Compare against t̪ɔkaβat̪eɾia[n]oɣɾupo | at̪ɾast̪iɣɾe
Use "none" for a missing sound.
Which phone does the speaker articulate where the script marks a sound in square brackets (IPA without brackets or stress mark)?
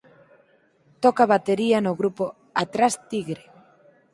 n